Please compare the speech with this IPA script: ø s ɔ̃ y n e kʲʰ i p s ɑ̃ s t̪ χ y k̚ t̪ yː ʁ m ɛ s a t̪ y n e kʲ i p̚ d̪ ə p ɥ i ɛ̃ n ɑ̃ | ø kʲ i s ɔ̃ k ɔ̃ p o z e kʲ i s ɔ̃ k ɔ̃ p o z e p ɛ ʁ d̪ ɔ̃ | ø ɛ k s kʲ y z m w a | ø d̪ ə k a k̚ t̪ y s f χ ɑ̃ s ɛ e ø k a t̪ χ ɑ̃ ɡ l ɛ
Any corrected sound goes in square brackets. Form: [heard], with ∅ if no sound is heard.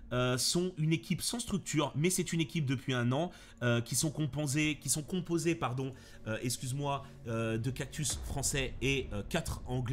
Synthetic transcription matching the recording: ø s ɔ̃ y n e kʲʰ i p s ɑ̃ s t̪ χ y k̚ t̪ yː ʁ m ɛ s [ɛ] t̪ y n e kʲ i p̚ d̪ ə p ɥ i ɛ̃ n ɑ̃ | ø kʲ i s ɔ̃ k ɔ̃ p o z e kʲ i s ɔ̃ k ɔ̃ p o z e p [a] ʁ d̪ ɔ̃ | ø ɛ k s kʲ y z m w a | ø d̪ ə k a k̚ t̪ y s f χ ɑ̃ s ɛ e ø k a t̪ χ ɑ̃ ɡ l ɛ

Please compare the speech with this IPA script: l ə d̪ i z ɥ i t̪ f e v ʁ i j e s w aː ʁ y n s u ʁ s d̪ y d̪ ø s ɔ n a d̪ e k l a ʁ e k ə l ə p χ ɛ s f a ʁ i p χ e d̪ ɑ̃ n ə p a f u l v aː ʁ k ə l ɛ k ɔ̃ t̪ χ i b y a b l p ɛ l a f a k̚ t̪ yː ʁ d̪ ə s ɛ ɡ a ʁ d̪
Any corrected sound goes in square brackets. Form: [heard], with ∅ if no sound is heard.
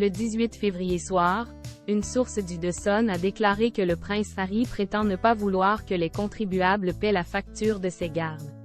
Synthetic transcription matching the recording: l ə d̪ i z ɥ i t̪ f e v ʁ i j e s w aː ʁ y n s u ʁ s d̪ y d̪ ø s ɔ n a d̪ e k l a ʁ e k ə l ə p χ [ɛ̃] s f a ʁ i p χ e [t̪] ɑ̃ n ə p a [v] u l [w] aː ʁ k ə l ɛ k ɔ̃ t̪ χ i b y a b l p ɛ l a f a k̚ t̪ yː ʁ d̪ ə s ɛ ɡ a ʁ d̪

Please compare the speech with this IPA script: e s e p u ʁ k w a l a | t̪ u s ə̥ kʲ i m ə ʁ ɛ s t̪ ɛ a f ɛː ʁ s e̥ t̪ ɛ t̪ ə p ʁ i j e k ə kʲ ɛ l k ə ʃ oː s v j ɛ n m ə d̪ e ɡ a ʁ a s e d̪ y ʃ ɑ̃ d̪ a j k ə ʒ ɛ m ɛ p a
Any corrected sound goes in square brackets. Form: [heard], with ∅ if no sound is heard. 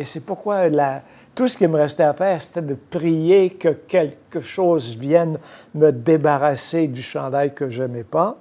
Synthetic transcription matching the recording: e s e p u ʁ k w a l a | t̪ u s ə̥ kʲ i m ə ʁ ɛ s t̪ ɛ a f ɛː ʁ s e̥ t̪ ɛ [d̪] ə p ʁ i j e k ə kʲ ɛ l k ə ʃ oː [z] v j ɛ n m ə d̪ e [b] a ʁ a s e d̪ y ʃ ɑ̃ d̪ a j k ə ʒ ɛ m ɛ p a

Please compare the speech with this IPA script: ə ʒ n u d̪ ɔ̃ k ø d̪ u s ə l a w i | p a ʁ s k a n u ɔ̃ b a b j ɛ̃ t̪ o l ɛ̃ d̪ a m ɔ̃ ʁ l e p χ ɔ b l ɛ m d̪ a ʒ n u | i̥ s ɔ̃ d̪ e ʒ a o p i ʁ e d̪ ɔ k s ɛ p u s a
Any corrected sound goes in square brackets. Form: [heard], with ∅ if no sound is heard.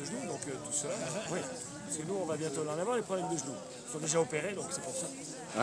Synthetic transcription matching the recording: ə ʒ n u d̪ ɔ̃ k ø [t̪] u s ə l a w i | p a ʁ s k [ə] n u ɔ̃ [v] a b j ɛ̃ t̪ o l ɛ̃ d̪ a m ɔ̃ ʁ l e p χ ɔ b l ɛ m d̪ [ə] ʒ n u | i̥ s ɔ̃ d̪ e ʒ a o p [e] ʁ e d̪ [ɔ̃] k s ɛ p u s a

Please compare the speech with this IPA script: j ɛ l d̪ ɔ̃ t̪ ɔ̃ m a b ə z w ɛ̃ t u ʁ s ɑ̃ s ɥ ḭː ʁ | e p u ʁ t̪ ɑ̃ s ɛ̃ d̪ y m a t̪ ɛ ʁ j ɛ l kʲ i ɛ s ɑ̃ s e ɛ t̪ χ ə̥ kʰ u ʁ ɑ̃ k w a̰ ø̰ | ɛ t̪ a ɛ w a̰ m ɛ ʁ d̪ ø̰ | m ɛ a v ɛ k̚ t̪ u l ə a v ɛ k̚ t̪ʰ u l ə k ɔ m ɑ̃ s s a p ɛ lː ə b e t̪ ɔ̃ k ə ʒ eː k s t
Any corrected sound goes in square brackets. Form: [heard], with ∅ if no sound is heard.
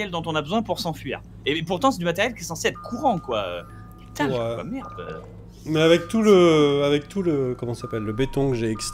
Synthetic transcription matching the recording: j ɛ l d̪ ɔ̃ t̪ ɔ̃ [n] a b ə z w ɛ̃ [p] u ʁ s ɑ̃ [f] ɥ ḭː ʁ | e p u ʁ t̪ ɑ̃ s [ɛ] d̪ y m a t̪ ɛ ʁ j ɛ l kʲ i ɛ s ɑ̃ s e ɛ t̪ χ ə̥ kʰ u ʁ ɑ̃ k w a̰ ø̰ | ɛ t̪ a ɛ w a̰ m ɛ ʁ d̪ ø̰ | m ɛ a v ɛ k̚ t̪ u l ə a v ɛ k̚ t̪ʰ u l ə k ɔ m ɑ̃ s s a p ɛ lː ə b e t̪ ɔ̃ k ə ʒ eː k s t

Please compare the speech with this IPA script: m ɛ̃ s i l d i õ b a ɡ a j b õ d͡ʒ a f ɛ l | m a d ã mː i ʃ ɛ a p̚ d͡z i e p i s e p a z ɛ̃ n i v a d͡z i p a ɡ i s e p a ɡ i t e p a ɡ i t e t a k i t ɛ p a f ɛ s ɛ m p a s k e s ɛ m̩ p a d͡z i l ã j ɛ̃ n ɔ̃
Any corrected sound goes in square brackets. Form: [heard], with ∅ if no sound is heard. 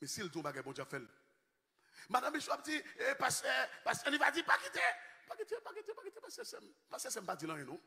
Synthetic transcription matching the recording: m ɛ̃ s i l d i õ b a ɡ a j b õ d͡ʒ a f ɛ l | m a d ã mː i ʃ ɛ a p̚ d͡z i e p [a] s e p a [s] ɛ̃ n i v a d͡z i p a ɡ i [t] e p a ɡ i t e p a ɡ i t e [p] a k i t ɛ p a [s] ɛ s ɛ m p a s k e s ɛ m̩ p a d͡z i l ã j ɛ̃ n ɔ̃

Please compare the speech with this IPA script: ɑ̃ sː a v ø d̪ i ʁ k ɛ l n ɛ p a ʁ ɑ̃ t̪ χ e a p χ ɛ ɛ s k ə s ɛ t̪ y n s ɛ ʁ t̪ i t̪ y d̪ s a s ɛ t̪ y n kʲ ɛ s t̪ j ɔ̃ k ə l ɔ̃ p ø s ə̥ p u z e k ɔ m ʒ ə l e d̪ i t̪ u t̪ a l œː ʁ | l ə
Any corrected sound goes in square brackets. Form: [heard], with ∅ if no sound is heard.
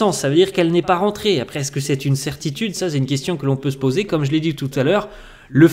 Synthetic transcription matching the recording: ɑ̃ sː a v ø d̪ i ʁ k ɛ l n ɛ p a ʁ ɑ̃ t̪ χ e a p χ ɛ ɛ s k ə s ɛ t̪ y n s ɛ ʁ t̪ i t̪ y d̪ s a s ɛ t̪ y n kʲ ɛ s t̪ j ɔ̃ k ə l ɔ̃ p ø s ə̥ p [o] z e k ɔ m ʒ ə l e d̪ i t̪ u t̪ a l œː ʁ | l ə

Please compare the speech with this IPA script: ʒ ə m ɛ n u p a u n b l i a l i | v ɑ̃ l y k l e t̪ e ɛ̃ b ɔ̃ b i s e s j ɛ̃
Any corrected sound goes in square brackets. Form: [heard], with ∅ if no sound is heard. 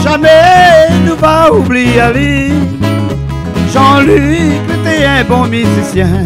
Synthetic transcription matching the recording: ʒ [a] m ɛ n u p a u [∅] b l i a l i | [ʒ] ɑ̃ l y k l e t̪ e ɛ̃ b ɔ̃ [m] i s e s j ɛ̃

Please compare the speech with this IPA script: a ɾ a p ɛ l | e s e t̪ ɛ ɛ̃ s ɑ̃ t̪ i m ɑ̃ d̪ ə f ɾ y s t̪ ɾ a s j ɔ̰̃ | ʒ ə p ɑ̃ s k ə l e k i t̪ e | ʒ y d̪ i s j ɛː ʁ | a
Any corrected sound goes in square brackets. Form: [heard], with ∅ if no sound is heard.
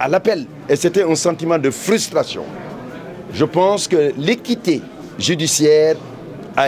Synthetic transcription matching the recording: a [l] a p ɛ l | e s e t̪ ɛ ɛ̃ s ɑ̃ t̪ i m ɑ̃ d̪ ə f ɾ y s t̪ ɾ a s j ɔ̰̃ | ʒ ə p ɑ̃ s k ə l e k i t̪ e | ʒ y d̪ i s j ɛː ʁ | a

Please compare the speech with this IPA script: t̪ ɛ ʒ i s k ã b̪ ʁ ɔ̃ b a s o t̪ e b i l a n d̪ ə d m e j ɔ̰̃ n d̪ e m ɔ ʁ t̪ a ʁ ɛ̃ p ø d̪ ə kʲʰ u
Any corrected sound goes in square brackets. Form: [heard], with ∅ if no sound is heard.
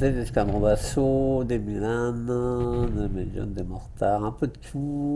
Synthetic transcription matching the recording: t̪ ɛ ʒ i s k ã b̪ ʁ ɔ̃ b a s o [d̪] e [m] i l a n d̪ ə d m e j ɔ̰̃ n d̪ e m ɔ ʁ t̪ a ʁ ɛ̃ p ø d̪ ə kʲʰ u

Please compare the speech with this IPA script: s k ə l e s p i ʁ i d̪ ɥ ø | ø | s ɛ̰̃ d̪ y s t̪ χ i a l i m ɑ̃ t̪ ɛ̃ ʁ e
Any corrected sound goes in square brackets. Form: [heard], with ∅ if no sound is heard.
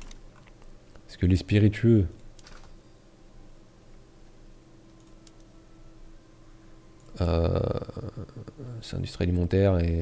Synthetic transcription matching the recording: s k ə l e s p i ʁ i [t̪] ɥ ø | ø | s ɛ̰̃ d̪ y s t̪ χ i a l i m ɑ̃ t̪ [ɛ] ʁ e

